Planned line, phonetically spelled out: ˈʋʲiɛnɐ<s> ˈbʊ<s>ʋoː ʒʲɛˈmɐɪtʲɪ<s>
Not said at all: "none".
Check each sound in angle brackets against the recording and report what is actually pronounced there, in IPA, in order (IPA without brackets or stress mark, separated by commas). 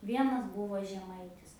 s, none, s